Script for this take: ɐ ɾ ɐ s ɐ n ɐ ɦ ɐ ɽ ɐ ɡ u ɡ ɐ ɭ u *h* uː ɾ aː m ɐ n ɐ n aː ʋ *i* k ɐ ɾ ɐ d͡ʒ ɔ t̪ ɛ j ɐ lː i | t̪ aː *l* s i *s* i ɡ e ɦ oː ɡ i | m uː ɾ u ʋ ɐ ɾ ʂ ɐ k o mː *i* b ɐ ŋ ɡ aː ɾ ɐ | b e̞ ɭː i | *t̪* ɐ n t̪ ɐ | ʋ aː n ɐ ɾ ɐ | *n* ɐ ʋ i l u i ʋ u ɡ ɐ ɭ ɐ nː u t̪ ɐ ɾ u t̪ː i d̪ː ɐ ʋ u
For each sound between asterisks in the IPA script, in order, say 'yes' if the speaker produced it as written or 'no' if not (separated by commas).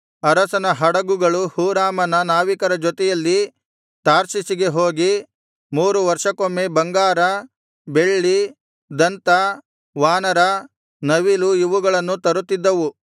yes, yes, no, yes, no, no, yes